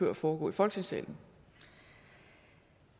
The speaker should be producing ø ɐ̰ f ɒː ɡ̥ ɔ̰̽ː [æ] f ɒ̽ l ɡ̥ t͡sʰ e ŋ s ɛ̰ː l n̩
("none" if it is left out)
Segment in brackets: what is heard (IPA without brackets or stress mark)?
i